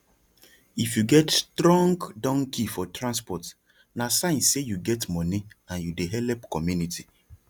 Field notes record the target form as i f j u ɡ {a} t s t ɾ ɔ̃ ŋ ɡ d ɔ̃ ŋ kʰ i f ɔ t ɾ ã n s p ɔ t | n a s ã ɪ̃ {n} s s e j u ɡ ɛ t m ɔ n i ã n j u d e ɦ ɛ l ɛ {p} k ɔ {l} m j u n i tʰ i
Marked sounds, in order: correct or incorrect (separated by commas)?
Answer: incorrect, correct, correct, incorrect